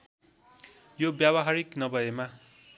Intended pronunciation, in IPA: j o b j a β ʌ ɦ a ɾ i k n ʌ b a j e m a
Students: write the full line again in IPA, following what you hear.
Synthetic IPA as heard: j o b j a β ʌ ɦ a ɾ i k n ʌ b ʌ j e m a